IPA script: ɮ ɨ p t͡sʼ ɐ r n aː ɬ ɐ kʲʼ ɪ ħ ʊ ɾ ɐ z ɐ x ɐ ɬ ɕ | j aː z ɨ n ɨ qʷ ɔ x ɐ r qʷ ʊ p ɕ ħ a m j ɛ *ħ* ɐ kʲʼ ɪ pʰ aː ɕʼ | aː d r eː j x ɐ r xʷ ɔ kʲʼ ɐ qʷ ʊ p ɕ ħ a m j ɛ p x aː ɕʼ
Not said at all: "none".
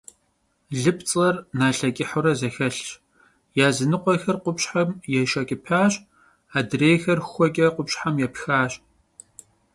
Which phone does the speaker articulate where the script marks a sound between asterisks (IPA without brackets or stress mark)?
ʃ